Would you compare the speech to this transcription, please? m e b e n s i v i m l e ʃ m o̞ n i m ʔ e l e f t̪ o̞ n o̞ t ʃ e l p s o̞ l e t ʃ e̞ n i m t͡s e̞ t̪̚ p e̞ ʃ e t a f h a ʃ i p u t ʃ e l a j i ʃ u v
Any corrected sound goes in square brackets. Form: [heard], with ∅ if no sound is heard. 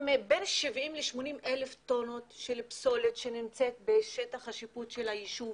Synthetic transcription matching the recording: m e b e n [ʃ] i v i m l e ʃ m o̞ n i m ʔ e l e f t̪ o̞ n o̞ t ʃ e l p s o̞ l e t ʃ e̞ n i m t͡s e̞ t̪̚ [b] e̞ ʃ e t a [χ] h a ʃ i p u t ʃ e l a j i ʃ u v